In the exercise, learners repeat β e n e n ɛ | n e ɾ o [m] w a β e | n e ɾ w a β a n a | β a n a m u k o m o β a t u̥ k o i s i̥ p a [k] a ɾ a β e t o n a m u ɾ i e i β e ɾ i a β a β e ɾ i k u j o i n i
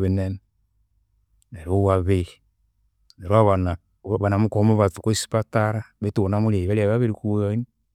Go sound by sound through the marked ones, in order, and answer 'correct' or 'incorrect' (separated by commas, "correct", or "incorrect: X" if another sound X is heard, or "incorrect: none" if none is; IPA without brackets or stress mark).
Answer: incorrect: none, incorrect: t